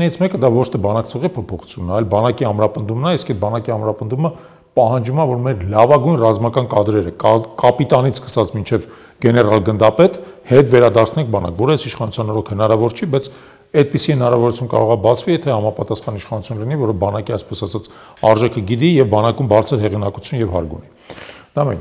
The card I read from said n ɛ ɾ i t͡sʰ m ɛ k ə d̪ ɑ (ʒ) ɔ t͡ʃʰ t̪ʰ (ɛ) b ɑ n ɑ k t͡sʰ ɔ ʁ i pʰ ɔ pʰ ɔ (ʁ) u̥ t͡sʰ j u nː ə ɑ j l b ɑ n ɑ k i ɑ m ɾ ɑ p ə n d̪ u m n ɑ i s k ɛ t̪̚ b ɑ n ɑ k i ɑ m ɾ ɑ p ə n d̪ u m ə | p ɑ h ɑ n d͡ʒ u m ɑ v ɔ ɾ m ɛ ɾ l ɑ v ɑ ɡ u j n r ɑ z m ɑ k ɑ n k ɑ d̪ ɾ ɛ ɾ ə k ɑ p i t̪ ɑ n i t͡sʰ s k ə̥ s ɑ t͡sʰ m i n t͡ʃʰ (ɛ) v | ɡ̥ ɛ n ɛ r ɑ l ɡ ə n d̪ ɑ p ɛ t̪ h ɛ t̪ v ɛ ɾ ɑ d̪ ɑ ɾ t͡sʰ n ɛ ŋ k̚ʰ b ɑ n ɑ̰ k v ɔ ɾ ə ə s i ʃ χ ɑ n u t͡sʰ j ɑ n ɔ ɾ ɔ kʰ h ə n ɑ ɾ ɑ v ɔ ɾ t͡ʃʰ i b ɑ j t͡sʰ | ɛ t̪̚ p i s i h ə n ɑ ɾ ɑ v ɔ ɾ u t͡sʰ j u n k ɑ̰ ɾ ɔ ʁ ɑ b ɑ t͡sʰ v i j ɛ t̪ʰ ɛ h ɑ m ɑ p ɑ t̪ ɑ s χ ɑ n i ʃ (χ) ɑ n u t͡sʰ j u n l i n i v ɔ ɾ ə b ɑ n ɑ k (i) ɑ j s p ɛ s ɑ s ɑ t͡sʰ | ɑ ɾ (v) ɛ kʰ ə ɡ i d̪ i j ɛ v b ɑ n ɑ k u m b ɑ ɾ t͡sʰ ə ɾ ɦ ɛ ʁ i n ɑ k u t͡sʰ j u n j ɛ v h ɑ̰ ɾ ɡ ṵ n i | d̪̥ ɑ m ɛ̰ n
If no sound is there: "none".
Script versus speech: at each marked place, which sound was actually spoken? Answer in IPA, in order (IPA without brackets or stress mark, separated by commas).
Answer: v, ɛ, χ, ɛ, χ, i, ʒ